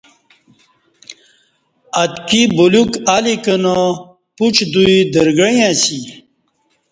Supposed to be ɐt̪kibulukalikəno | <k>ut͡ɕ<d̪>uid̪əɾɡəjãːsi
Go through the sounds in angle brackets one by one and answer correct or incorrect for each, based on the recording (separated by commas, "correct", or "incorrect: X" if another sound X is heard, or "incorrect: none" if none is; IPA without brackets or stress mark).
incorrect: p, correct